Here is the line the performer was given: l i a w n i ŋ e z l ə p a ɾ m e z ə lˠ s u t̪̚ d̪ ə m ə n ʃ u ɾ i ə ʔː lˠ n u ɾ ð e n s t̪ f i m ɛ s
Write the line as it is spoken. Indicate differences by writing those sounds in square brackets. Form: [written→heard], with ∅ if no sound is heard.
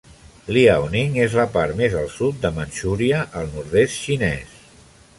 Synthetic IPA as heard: l i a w n i ŋ e z l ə p a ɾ m e z ə lˠ s u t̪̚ d̪ ə m ə n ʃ u ɾ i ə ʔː lˠ n u ɾ ð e [n→∅] s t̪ [f→ʃ] i [m→n] ɛ s